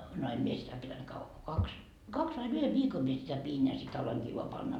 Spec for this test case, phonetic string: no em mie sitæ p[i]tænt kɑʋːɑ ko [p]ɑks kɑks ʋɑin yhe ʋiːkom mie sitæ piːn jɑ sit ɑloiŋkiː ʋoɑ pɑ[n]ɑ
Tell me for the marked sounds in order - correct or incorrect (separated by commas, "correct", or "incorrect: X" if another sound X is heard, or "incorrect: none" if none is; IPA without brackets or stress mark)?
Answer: correct, incorrect: k, incorrect: nː